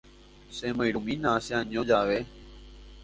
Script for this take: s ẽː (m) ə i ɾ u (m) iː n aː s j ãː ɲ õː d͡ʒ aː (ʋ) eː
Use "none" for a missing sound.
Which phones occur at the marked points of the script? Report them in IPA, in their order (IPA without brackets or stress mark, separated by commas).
m, m, ʋ